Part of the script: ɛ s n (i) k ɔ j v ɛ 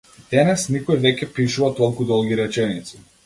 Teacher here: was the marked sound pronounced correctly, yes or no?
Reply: yes